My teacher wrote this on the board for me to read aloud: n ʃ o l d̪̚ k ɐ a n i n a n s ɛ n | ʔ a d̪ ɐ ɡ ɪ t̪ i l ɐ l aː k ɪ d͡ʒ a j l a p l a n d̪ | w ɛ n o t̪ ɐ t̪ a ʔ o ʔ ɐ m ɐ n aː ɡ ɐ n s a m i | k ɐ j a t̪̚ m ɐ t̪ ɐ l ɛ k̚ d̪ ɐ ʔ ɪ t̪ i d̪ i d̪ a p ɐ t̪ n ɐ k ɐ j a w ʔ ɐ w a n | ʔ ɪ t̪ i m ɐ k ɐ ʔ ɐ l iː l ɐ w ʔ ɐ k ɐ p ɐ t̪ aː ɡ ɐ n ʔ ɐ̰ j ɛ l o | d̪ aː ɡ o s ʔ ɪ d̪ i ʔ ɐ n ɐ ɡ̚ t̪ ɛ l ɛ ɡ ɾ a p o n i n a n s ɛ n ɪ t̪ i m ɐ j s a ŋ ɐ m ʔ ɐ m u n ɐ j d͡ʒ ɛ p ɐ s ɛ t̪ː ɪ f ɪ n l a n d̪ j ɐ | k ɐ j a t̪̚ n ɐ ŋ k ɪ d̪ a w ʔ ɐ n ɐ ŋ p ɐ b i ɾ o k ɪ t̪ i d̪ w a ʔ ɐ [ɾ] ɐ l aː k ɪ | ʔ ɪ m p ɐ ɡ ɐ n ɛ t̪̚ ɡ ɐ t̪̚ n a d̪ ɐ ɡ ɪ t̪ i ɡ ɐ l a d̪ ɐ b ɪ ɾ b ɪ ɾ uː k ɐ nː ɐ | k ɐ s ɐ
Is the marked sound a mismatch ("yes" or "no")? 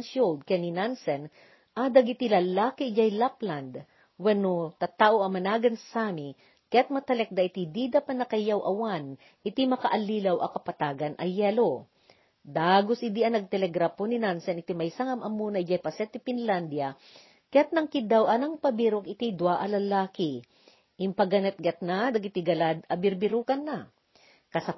yes